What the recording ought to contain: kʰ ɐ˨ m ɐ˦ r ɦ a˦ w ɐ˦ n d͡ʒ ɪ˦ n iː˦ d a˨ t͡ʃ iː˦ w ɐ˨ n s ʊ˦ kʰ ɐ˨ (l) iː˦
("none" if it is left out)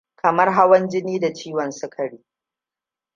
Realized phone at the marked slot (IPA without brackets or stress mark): ɽ